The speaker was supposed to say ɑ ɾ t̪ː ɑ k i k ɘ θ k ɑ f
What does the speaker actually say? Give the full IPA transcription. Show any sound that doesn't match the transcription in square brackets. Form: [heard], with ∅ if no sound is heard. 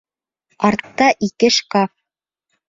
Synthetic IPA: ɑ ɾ t̪ː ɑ [ʔ] i k ɘ [ʃ] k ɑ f